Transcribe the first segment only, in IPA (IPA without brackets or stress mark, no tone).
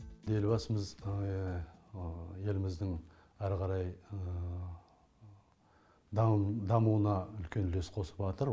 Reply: d̪